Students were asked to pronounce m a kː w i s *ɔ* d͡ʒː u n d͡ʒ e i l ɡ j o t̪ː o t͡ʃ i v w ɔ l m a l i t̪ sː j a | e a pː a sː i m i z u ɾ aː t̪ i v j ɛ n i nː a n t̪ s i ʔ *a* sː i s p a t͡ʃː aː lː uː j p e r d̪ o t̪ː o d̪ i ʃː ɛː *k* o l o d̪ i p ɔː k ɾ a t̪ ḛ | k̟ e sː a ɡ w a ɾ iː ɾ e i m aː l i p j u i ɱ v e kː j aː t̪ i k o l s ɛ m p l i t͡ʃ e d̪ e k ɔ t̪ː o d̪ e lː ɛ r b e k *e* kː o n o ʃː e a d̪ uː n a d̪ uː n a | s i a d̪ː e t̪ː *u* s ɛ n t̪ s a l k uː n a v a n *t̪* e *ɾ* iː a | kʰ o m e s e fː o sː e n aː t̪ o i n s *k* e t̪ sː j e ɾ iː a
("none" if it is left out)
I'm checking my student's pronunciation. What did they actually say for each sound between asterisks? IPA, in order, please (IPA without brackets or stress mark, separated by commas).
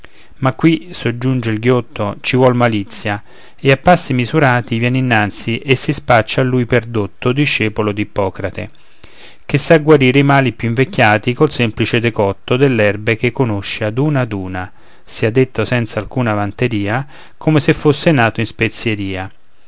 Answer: o, e, p, e, o, t̪, ɾ, p